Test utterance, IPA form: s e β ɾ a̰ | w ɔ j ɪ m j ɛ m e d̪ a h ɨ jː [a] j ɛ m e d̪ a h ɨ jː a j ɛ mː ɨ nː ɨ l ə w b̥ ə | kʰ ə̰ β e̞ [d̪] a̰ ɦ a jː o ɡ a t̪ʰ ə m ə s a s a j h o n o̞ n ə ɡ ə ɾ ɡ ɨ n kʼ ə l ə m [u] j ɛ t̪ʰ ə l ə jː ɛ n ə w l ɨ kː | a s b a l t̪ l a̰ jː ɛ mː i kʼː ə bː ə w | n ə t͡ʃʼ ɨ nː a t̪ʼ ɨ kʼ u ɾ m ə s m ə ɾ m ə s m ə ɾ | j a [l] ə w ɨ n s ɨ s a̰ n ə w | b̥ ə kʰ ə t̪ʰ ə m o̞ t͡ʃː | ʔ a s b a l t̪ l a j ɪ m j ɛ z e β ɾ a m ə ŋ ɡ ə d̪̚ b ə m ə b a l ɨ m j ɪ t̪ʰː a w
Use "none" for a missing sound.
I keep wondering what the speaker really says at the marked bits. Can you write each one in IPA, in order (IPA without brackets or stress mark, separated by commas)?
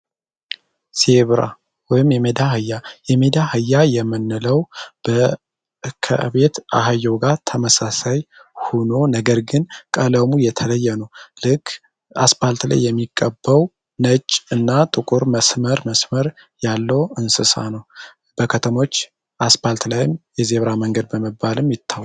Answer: a, t̪, u, lː